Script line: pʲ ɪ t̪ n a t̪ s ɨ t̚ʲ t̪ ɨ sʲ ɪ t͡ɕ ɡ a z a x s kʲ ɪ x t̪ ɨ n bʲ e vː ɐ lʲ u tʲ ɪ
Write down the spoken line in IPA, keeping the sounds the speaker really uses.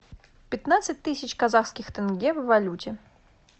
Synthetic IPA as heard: pʲ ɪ t̪ n a t̪ s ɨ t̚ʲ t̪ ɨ sʲ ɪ t͡ɕ k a z a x s kʲ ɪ x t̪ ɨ n ɡʲ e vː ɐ lʲ u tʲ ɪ